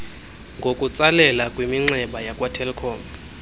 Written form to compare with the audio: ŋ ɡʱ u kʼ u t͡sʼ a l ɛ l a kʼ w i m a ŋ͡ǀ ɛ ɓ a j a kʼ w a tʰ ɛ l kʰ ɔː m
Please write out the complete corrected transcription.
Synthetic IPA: ŋ ɡʱ o kʼ u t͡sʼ a l ɛ l a kʼ w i m i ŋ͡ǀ ɛ ɓ a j a kʼ w a tʰ ɛ l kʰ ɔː m